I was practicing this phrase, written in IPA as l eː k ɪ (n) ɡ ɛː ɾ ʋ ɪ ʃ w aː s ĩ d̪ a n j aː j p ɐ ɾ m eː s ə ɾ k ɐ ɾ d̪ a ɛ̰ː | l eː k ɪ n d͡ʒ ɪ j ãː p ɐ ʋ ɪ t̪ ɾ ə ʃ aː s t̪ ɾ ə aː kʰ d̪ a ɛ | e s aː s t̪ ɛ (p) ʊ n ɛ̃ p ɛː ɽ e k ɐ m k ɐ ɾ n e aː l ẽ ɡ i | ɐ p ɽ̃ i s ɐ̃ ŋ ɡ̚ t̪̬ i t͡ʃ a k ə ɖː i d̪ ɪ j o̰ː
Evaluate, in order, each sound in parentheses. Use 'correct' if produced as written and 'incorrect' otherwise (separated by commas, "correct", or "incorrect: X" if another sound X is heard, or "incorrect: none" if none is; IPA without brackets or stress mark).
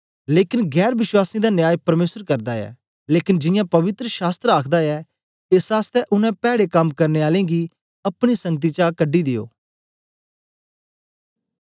correct, incorrect: ʔ